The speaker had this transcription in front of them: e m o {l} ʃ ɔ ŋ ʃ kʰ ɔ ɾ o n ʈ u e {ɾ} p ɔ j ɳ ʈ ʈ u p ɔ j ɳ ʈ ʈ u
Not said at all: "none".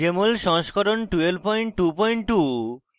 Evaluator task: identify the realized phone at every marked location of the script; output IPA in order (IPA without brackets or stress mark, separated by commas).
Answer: l, l